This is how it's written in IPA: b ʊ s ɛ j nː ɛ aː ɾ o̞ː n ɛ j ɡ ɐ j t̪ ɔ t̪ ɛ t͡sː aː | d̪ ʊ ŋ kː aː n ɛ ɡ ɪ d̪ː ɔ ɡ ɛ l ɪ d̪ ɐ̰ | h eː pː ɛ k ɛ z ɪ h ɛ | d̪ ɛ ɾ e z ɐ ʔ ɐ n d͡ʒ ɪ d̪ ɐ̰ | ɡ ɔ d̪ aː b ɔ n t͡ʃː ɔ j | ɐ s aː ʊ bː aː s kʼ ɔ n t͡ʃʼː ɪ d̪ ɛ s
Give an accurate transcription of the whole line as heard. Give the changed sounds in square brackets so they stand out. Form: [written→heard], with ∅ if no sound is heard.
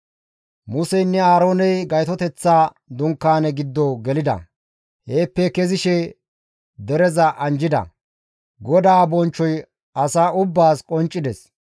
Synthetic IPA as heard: [b→m] ʊ s ɛ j nː ɛ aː ɾ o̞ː n ɛ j ɡ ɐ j t̪ ɔ t̪ ɛ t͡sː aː | d̪ ʊ ŋ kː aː n ɛ ɡ ɪ d̪ː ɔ ɡ ɛ l ɪ d̪ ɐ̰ | h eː pː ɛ k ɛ z ɪ [h→ʃ] ɛ | d̪ ɛ ɾ [e→ɛ] z ɐ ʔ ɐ n d͡ʒ ɪ d̪ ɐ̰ | ɡ ɔ d̪ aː b ɔ n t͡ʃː ɔ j | ɐ s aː ʊ bː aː s kʼ ɔ n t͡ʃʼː ɪ d̪ ɛ s